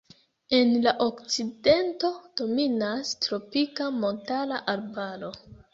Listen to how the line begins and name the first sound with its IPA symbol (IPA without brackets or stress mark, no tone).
e̞